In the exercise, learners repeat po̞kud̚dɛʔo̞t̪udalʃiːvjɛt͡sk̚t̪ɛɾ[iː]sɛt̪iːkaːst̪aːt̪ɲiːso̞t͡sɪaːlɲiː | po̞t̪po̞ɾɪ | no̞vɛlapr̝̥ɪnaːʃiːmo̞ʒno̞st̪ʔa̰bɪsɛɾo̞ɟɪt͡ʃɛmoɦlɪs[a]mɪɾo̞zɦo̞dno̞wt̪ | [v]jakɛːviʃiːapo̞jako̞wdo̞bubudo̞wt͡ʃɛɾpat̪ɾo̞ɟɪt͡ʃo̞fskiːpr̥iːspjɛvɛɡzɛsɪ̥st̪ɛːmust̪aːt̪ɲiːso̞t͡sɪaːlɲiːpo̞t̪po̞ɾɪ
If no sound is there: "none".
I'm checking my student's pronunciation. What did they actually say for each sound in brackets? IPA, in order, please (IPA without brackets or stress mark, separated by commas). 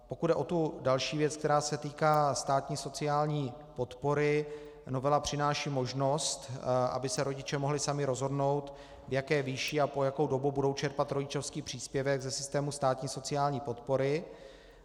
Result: aː, a, v